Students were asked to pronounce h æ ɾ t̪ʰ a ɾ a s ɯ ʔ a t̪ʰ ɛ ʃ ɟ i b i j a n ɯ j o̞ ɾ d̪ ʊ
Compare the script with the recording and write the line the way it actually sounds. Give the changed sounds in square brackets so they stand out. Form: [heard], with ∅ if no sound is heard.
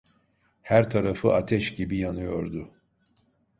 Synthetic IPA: h æ ɾ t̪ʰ a ɾ a [f] ɯ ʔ a t̪ʰ ɛ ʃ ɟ i b i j a n ɯ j o̞ ɾ d̪ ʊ